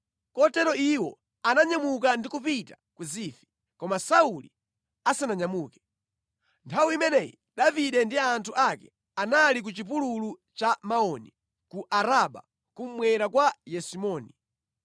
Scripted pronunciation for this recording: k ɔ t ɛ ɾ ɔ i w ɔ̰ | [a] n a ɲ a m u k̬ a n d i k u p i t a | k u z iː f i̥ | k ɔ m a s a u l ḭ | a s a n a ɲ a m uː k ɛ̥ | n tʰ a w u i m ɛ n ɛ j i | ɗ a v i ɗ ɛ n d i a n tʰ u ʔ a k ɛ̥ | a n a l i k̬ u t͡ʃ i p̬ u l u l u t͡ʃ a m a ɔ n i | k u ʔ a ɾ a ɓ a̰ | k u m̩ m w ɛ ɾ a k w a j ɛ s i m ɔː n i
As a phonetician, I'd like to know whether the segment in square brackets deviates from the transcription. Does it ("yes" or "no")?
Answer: no